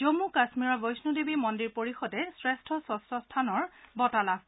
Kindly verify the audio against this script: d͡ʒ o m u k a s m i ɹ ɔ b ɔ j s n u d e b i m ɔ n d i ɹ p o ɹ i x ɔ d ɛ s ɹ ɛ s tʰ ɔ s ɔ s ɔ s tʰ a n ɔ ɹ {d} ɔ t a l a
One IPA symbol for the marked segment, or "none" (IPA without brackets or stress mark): b